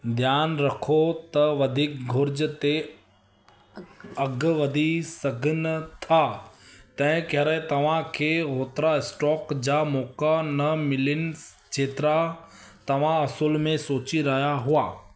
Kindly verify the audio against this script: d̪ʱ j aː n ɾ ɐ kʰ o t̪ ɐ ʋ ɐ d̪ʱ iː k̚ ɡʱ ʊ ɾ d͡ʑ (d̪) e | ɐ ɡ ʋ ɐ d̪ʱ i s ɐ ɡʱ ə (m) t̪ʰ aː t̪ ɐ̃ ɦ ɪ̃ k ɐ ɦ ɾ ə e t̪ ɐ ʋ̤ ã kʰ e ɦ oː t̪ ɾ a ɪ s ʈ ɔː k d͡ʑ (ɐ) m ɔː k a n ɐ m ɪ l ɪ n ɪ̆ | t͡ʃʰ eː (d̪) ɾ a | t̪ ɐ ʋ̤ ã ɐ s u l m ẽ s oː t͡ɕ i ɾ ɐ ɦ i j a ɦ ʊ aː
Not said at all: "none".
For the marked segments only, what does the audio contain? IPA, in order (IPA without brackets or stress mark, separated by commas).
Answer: t̪, n, a, t̪